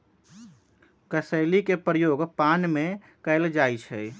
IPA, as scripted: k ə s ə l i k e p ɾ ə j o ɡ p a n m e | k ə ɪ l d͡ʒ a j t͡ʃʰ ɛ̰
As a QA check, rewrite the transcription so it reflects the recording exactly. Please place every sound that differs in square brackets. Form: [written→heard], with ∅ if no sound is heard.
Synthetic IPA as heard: k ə s ə l i k e p ɾ ə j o ɡ p a n m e | k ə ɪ l d͡ʒ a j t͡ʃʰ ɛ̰

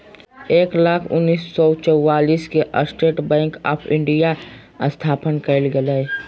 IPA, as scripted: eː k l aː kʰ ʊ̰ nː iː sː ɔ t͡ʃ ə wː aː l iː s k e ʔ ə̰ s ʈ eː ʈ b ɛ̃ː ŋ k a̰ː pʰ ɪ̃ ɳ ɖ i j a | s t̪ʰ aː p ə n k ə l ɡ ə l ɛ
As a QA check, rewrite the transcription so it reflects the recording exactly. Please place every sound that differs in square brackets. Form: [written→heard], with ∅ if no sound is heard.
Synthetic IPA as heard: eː k l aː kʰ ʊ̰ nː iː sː ɔ t͡ʃ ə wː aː l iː s k e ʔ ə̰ s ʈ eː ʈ b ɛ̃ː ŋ k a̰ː pʰ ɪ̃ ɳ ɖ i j a | s t̪ʰ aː p ə n k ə l ɡ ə l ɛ

